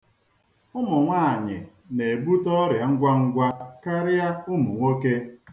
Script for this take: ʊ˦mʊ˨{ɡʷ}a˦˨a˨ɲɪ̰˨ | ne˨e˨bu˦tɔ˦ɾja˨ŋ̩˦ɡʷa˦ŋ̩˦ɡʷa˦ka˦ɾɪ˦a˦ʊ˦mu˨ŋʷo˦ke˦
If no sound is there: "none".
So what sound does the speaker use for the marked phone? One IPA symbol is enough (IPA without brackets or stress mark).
ŋʷ